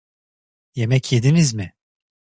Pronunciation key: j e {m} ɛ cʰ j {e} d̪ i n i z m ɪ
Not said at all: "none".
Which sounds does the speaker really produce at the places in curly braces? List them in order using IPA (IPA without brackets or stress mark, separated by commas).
m, e